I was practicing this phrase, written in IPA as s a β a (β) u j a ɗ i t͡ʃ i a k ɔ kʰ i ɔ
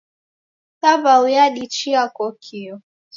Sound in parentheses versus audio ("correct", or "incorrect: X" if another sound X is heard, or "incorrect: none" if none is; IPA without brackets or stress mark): incorrect: none